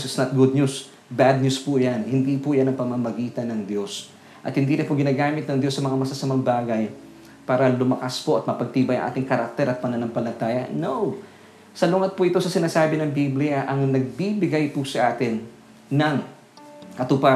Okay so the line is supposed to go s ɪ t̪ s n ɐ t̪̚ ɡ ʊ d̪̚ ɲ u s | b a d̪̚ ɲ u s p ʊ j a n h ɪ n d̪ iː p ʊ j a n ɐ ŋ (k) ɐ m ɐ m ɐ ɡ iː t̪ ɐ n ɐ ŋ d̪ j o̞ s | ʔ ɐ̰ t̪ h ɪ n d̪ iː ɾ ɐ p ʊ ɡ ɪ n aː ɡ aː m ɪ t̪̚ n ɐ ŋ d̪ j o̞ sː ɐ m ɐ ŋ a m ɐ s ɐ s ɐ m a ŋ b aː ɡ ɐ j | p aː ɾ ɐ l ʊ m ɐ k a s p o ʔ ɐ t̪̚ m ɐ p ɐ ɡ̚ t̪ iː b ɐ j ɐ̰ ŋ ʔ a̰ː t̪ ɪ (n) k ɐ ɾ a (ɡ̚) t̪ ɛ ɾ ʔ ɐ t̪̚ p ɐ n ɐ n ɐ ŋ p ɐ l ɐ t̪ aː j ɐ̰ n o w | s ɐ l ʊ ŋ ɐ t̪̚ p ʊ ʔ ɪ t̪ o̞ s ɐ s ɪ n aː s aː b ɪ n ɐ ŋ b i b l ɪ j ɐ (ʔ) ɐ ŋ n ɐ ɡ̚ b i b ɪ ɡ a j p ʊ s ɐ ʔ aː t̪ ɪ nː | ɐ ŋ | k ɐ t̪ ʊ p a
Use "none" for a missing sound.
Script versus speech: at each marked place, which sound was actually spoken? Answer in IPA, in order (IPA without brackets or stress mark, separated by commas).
p, ŋ, k̚, ʔ